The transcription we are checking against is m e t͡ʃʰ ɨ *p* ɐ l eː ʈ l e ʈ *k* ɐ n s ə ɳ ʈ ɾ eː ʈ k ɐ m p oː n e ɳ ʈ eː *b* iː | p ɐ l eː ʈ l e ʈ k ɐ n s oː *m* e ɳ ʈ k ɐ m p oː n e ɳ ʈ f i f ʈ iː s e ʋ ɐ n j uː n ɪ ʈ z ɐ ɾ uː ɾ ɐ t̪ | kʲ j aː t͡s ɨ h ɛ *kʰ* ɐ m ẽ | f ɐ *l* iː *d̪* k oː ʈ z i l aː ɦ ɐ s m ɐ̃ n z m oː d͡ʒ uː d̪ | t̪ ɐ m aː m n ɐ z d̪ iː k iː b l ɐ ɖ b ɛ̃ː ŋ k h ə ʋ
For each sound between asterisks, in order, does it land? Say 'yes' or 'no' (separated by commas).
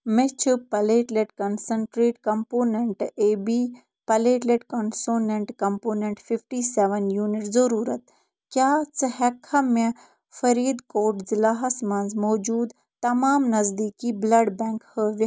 yes, yes, yes, no, yes, no, yes